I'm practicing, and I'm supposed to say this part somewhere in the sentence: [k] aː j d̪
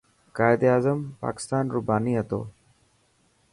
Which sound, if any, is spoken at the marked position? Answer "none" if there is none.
k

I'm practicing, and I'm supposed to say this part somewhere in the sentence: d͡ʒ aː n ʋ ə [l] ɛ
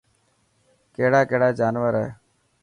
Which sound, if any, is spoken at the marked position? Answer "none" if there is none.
ɾ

